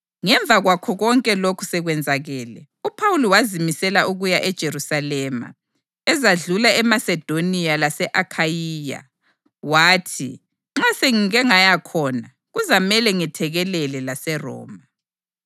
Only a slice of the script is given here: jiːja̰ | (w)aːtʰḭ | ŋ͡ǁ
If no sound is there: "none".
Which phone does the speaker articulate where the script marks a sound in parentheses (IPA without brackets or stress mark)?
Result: w